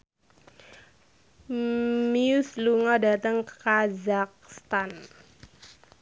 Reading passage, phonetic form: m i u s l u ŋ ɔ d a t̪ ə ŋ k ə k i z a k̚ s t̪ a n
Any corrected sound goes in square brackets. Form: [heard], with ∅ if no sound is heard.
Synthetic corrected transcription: m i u s l u ŋ ɔ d a t̪ ə ŋ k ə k [a] z a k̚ s t̪ a n